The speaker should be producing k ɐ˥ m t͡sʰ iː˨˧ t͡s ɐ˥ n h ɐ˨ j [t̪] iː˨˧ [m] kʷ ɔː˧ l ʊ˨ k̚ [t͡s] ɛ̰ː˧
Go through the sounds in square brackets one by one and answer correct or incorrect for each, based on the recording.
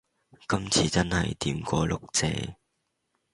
correct, correct, correct

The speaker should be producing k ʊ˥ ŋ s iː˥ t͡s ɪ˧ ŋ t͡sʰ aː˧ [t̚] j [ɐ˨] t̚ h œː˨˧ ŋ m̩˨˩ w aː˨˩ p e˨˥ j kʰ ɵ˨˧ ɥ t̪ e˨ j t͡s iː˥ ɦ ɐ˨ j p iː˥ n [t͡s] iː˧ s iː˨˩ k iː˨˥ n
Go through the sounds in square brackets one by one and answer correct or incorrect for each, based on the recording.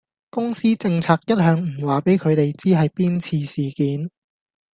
incorrect, incorrect, incorrect

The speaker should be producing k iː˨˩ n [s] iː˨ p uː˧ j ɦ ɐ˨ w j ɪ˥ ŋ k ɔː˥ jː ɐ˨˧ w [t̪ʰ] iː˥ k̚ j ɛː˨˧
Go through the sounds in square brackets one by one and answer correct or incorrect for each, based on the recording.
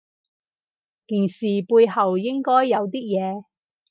correct, incorrect

